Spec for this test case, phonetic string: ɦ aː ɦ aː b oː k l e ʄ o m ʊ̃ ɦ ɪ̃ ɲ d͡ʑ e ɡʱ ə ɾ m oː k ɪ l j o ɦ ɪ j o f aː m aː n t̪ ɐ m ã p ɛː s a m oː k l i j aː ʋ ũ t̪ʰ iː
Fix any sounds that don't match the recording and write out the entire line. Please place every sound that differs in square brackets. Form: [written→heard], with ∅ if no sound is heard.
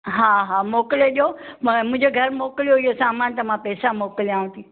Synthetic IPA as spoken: ɦ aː ɦ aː [b→m] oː k l e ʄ o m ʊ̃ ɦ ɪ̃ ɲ d͡ʑ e ɡʱ [ə→ɐ] ɾ m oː k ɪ l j o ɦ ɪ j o [f→s] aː m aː n t̪ ɐ m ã p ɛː s a m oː k l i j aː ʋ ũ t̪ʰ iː